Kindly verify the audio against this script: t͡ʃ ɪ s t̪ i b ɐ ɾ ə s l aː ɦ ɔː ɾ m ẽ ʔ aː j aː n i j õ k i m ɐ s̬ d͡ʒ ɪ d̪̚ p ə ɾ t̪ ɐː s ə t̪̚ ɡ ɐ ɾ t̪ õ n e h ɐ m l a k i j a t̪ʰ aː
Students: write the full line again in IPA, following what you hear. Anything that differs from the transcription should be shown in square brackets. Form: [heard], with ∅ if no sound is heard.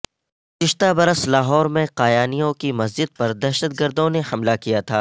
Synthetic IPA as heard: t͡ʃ ɪ [ʃ] t̪ [a] b ɐ ɾ ə s l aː ɦ ɔː ɾ m ẽ [q] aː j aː n i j õ k i m ɐ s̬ d͡ʒ ɪ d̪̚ p [ɐ] ɾ [d̪] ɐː [ʃ] ə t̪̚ ɡ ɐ ɾ [d̪] õ n e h ɐ m l a k i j a t̪ʰ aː